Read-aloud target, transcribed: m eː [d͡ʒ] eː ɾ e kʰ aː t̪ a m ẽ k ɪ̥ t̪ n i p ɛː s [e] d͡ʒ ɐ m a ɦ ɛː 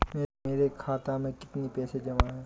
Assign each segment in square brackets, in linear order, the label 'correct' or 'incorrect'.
incorrect: none, correct

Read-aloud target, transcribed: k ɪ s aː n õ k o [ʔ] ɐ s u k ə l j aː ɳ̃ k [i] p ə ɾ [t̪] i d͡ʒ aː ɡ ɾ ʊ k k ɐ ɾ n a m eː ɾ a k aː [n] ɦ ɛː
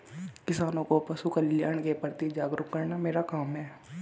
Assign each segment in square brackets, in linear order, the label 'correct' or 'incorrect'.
incorrect: p, incorrect: e, correct, incorrect: m

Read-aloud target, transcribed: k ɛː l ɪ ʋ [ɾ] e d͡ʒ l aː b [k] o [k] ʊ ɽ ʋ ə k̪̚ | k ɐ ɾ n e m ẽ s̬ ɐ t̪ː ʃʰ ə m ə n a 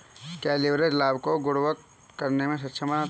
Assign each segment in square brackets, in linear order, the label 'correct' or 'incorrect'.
correct, correct, incorrect: ɡ

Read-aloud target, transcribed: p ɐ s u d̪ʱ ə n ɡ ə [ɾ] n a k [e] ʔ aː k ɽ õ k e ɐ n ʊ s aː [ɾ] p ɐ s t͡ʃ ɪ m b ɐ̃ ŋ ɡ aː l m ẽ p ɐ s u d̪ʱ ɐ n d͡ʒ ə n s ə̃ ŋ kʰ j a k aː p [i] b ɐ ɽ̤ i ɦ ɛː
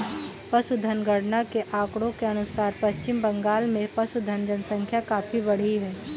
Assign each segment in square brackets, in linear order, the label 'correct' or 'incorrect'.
incorrect: ɽ, correct, correct, correct

